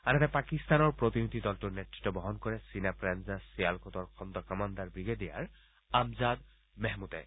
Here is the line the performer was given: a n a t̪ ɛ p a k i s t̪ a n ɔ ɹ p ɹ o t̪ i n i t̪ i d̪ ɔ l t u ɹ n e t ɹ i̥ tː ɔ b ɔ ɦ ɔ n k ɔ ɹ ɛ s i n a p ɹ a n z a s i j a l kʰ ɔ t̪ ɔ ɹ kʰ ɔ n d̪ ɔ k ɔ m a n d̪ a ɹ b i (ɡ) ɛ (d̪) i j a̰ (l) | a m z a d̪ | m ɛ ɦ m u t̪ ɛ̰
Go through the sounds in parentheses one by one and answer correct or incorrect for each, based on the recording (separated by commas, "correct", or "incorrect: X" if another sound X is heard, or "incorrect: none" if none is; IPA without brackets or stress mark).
correct, correct, incorrect: ɹ